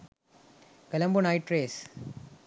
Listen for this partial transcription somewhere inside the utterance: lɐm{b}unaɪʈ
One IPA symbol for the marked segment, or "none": b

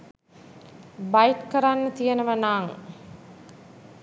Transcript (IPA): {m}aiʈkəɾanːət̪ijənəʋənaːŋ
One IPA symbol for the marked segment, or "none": b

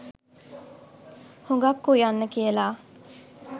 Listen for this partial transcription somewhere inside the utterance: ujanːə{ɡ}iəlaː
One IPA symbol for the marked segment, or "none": k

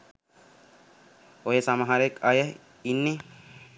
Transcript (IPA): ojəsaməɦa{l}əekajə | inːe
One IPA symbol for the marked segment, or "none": ɾ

